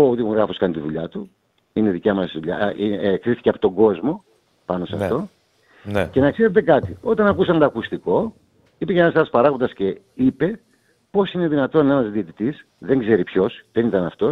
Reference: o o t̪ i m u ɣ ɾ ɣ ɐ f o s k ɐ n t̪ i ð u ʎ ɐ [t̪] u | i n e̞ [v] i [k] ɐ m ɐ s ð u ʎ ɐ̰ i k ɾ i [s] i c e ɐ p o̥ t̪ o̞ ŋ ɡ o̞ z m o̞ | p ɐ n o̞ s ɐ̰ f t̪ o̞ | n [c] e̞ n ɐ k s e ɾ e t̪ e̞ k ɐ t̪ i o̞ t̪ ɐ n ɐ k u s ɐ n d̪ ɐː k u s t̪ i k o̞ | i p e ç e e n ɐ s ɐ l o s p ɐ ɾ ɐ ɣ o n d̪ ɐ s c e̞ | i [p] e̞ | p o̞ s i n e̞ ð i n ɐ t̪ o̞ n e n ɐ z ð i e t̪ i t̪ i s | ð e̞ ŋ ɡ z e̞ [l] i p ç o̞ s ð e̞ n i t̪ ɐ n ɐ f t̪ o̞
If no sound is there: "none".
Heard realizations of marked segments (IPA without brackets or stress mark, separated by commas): t̪, ð, c, θ, c, p, ɾ